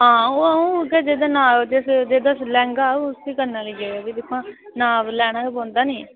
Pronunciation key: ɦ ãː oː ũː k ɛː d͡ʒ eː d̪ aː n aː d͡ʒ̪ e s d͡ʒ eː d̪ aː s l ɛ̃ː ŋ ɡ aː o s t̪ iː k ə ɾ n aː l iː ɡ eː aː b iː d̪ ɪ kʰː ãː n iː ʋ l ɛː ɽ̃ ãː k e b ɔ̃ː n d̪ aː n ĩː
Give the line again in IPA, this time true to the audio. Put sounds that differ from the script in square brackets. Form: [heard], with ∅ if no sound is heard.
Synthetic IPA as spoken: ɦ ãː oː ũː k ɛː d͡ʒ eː d̪ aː n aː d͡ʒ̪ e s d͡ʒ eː d̪ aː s l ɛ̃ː ŋ ɡ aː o s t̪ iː k ə ɾ n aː l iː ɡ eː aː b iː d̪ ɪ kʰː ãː n [aː] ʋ l ɛː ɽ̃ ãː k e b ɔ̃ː n d̪ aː n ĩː